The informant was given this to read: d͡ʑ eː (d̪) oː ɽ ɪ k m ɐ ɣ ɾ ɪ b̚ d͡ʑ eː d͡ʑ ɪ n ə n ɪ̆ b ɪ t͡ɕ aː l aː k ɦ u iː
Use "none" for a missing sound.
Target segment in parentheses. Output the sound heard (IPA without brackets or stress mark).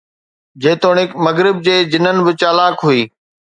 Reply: t̪